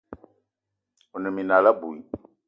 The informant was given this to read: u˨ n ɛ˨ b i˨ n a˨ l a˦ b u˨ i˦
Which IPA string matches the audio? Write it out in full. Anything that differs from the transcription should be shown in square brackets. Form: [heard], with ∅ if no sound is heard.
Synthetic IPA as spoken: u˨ n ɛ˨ [m] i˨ n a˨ l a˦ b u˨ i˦